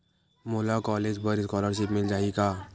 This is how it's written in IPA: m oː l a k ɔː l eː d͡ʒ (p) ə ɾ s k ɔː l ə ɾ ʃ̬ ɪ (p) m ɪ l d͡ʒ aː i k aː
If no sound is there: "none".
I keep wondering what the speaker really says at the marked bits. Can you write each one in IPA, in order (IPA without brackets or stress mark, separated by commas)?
b, p